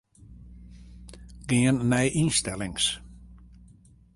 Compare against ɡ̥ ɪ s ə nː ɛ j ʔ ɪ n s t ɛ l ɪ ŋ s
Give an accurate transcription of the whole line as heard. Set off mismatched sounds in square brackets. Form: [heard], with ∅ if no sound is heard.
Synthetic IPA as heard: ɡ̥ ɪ [∅] ə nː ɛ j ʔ [i] n s t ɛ l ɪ ŋ s

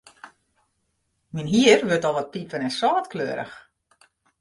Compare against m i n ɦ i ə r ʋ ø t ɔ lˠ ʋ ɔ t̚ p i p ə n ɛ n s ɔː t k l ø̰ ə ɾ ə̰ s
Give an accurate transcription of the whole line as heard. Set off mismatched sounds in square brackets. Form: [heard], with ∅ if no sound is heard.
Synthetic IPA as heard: m i n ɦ i ə r ʋ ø t ɔ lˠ ʋ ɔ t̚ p i p ə n ɛ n s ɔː t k l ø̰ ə ɾ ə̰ [x]

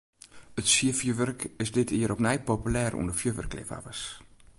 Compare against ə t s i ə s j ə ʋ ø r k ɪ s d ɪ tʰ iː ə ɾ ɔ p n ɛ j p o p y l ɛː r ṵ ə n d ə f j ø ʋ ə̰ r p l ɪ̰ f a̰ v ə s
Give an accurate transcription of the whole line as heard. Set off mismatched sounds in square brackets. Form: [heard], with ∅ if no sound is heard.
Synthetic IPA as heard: ə t s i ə [f] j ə ʋ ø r k ɪ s d ɪ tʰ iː ə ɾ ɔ p n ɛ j p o p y l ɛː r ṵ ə n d ə f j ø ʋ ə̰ r [k] l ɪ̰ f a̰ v ə s

